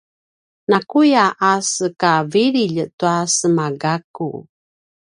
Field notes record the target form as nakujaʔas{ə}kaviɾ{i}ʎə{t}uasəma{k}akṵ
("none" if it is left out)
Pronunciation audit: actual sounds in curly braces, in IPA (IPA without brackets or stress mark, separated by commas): ə, i, t, ɡ